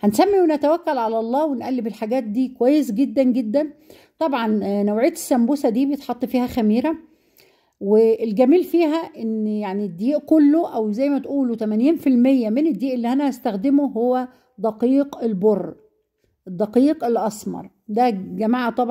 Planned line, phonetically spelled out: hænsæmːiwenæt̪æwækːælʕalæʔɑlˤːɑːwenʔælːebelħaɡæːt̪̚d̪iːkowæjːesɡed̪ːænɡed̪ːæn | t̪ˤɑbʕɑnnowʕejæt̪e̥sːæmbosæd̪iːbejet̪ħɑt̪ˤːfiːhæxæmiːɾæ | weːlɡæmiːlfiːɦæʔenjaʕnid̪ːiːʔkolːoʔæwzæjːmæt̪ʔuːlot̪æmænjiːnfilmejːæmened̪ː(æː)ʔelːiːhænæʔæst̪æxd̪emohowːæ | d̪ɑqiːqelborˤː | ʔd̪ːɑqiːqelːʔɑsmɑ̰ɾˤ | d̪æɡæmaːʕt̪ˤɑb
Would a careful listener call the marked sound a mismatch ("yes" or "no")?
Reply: yes